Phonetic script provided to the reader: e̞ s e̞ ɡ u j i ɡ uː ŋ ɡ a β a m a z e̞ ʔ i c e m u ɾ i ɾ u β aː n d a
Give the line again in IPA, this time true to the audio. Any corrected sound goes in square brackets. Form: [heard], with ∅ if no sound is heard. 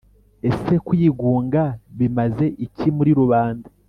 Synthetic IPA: e̞ s e̞ [k] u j i ɡ uː ŋ ɡ a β [i] m a z e̞ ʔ i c [i] m u ɾ i ɾ u β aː n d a